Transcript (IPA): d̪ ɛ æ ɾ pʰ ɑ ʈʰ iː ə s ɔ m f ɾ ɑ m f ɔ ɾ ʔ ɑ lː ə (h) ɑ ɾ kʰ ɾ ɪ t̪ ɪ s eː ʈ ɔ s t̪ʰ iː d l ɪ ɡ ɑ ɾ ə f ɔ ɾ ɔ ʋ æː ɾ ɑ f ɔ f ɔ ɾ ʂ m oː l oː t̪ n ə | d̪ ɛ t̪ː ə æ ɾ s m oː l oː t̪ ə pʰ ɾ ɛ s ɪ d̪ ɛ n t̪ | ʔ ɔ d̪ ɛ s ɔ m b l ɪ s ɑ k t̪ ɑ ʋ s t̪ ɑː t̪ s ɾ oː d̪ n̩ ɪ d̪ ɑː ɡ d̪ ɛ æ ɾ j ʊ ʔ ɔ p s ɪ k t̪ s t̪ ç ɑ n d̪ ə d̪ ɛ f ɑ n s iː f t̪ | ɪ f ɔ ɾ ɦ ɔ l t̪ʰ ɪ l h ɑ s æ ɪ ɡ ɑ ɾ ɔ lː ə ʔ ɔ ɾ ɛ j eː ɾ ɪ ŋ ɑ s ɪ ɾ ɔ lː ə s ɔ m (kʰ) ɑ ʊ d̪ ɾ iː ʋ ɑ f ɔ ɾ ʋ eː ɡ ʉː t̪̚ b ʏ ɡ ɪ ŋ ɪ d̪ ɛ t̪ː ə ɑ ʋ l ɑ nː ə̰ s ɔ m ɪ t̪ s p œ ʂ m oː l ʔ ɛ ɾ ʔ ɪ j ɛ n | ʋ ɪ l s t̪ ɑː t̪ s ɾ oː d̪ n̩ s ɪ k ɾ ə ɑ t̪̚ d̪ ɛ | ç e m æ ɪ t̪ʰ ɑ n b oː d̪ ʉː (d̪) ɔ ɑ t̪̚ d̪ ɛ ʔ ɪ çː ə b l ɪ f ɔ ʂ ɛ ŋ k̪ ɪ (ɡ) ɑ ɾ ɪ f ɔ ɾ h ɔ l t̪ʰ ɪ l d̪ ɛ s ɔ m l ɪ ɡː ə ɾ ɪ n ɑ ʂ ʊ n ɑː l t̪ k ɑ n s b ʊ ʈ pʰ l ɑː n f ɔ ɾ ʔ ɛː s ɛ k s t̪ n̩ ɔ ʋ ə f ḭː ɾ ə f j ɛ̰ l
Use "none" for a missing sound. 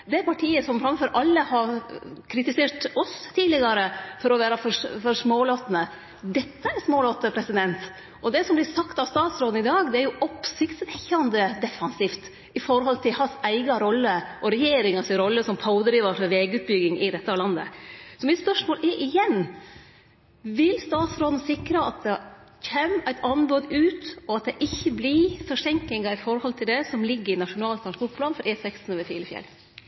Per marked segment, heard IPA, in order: h, pʰ, t̪, ŋ

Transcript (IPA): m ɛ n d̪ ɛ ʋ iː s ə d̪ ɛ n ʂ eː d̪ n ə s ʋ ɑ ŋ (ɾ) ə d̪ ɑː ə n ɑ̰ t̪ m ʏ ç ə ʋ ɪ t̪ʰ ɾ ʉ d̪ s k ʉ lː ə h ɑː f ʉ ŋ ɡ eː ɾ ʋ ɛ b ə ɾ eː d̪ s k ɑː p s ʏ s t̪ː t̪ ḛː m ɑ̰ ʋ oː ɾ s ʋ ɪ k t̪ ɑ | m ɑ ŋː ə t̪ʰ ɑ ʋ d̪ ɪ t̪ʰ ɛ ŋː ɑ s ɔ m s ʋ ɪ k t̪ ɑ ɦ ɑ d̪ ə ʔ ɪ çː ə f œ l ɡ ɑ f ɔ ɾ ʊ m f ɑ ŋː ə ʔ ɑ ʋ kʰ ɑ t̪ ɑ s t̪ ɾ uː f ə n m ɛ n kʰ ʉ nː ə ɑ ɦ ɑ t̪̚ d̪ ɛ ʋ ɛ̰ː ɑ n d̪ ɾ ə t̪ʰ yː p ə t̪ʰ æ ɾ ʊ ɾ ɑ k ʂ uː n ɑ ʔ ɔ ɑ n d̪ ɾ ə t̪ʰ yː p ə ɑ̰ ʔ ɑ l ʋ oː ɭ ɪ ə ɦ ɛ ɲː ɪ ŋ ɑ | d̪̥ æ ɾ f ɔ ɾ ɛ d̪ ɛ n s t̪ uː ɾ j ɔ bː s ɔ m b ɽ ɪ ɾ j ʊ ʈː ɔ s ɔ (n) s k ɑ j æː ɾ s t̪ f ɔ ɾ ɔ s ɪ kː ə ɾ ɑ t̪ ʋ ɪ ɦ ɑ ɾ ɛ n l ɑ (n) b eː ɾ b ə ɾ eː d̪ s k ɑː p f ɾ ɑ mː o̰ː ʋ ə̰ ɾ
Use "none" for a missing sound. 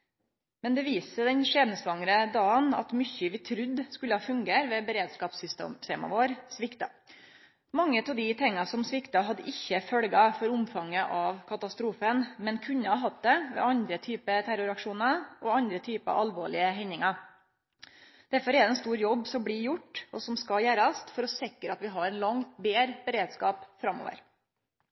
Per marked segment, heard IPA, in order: ɾ, m, ŋ

